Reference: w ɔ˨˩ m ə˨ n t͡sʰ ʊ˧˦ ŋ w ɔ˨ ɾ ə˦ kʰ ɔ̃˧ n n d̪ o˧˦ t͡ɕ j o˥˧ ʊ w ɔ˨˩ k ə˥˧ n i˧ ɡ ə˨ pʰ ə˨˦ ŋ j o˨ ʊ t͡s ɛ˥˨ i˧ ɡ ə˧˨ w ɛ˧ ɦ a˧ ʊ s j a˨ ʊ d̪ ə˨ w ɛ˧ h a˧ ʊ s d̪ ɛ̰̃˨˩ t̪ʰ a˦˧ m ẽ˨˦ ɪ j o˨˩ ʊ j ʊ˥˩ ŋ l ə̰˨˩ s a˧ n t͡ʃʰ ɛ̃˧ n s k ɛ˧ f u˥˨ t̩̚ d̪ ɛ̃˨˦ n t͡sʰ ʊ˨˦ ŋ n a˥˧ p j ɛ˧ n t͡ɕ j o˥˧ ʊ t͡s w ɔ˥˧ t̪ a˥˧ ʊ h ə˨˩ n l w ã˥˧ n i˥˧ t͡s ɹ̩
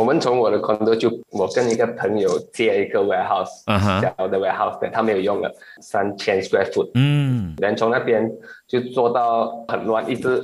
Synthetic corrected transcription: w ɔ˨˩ m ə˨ n t͡sʰ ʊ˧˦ ŋ w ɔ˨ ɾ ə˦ kʰ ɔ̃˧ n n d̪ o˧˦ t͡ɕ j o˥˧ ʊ w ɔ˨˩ k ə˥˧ n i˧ ɡ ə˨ pʰ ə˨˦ ŋ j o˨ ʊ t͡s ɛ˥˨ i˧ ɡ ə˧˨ w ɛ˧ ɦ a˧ ʊ s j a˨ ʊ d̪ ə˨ w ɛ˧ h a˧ ʊ s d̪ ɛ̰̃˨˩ t̪ʰ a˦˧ m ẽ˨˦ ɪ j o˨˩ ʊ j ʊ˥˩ ŋ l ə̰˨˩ s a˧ n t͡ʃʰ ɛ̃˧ n s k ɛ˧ f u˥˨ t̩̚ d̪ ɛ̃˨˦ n t͡sʰ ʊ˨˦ ŋ n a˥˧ p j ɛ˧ n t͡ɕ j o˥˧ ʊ t͡s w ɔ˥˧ t̪ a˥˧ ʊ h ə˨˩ n l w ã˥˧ n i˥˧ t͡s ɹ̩